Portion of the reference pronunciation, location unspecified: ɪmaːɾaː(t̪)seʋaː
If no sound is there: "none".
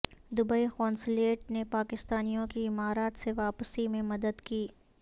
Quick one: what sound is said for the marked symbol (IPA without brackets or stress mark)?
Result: t̪